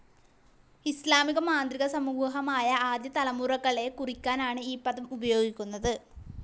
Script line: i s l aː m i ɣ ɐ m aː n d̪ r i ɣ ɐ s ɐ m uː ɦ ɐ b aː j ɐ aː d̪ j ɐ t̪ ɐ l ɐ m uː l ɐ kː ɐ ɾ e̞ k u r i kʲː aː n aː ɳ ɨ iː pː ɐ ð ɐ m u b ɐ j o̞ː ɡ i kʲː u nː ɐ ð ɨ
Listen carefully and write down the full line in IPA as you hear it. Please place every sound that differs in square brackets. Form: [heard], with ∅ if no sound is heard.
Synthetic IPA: i s l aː m i ɣ ɐ m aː n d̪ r i ɣ ɐ s ɐ m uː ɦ ɐ [m] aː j ɐ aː d̪ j ɐ t̪ ɐ l ɐ m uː [r] ɐ kː ɐ [ɭ] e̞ k u r i kʲː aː n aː ɳ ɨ iː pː ɐ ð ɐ m u b ɐ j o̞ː ɡ i kʲː u nː ɐ ð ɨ